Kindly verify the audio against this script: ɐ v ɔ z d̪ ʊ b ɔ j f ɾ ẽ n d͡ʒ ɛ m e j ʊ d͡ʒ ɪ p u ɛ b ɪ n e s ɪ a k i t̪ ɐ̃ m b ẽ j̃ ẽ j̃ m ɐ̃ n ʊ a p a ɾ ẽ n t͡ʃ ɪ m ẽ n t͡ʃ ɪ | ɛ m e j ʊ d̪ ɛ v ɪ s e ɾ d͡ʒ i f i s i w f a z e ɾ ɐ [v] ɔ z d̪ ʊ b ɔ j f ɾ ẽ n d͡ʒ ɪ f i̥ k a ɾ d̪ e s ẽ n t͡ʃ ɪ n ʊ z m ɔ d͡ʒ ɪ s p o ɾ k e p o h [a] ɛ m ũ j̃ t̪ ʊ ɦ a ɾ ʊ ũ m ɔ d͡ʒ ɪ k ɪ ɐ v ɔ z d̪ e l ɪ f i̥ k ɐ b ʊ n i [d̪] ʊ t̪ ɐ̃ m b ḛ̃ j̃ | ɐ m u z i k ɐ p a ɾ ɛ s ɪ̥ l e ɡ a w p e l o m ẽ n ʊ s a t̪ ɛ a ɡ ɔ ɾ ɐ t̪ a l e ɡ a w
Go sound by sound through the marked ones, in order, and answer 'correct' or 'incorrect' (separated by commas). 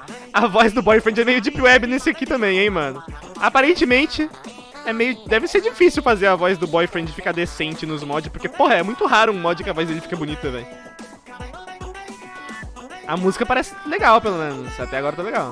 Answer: correct, incorrect, incorrect